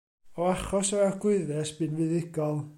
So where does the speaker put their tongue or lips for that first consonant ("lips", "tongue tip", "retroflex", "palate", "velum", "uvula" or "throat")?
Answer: uvula